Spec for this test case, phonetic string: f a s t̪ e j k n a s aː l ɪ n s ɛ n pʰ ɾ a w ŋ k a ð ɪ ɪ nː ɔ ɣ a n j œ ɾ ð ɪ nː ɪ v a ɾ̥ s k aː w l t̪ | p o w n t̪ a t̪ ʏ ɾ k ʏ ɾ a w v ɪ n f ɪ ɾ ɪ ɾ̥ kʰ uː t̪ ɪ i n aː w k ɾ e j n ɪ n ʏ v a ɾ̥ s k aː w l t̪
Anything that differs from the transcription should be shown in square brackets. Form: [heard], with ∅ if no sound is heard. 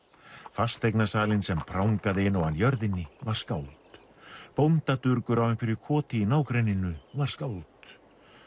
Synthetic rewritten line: f a s t̪ e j k n a s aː l ɪ n s ɛ [m] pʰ ɾ a w ŋ k a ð ɪ ɪ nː ɔ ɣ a n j œ ɾ ð ɪ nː ɪ v a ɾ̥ s k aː w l t̪ | p o w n t̪ a t̪ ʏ ɾ k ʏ ɾ a w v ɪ n f ɪ ɾ ɪ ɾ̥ kʰ [ɔː] t̪ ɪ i n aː w k ɾ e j n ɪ n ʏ v a ɾ̥ s k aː w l t̪